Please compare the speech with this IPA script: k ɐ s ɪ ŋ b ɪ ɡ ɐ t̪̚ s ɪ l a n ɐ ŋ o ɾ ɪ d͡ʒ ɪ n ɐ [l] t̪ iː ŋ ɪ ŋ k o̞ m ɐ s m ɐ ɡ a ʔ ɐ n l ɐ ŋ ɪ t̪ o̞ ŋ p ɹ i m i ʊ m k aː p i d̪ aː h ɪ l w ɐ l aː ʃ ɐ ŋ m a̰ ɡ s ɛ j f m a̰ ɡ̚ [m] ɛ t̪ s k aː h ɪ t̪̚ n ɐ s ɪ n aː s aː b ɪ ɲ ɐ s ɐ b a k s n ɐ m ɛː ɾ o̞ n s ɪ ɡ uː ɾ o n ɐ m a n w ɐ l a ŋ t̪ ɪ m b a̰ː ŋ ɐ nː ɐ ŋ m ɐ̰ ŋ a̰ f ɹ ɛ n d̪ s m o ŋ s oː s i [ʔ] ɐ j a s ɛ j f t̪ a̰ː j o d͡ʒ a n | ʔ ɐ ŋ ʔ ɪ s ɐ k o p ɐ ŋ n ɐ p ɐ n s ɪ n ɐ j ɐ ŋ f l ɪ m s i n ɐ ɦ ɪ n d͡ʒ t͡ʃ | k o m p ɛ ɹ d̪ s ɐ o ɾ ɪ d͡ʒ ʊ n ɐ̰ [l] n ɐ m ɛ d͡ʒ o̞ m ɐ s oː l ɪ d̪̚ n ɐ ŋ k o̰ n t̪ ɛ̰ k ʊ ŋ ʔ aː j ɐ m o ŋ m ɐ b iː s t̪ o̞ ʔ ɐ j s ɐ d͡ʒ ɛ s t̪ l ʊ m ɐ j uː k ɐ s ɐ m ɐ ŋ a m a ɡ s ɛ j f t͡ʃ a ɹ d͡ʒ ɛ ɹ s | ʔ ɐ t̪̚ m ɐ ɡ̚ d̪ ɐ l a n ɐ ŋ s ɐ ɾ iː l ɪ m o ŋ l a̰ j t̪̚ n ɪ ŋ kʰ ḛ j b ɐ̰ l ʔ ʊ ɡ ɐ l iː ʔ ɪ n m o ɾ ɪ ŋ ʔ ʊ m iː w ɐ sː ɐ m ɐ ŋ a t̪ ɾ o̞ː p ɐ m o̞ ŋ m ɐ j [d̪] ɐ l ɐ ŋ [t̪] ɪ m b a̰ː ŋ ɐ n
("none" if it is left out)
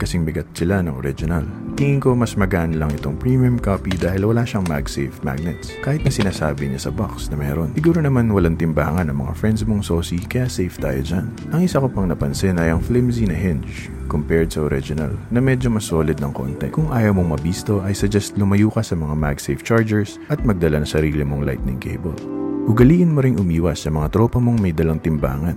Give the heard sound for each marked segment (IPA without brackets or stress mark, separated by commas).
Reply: l, n, k, l, d̪, t̪